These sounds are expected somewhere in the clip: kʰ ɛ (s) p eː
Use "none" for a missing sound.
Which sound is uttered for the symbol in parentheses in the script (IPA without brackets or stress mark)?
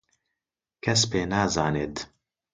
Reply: s